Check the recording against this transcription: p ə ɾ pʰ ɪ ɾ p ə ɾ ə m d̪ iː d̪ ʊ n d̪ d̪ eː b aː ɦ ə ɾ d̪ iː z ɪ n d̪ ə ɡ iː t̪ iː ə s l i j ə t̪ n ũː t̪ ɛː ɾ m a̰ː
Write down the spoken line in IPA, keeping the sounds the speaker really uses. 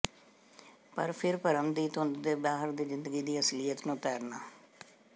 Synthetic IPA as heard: p ə ɾ pʰ ɪ ɾ p ə ɾ ə m d̪ iː t̪ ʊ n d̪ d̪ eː b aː ɦ ə ɾ d̪ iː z ɪ n d̪ ə ɡ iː d̪ iː ə s l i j ə t̪ n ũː t̪ ɛː ɾ n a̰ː